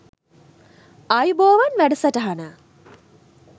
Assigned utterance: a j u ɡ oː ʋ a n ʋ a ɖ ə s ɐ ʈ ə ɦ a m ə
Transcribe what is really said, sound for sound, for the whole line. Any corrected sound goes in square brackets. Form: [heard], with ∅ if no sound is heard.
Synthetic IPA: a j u [b] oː ʋ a n ʋ [æ] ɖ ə s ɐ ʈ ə ɦ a [n] ə